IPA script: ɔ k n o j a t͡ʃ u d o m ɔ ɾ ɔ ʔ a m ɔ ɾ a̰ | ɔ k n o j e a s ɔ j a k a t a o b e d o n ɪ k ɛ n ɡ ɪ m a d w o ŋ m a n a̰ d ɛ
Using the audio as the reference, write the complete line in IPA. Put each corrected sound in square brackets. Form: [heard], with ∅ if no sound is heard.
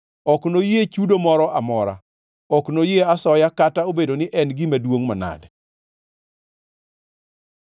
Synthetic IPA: ɔ k n o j [e] t͡ʃ u d o m ɔ ɾ ɔ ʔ a m ɔ ɾ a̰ | ɔ k n o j e a s ɔ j a k a t a o b e d o n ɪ [ʔ] ɛ n ɡ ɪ m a d w o ŋ m a n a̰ d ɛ